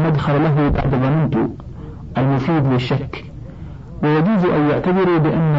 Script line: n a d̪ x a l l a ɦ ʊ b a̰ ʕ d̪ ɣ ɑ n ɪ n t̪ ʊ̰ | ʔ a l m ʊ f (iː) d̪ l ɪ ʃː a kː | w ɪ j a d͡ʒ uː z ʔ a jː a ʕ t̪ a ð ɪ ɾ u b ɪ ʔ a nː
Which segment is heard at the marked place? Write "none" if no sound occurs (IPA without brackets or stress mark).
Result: iː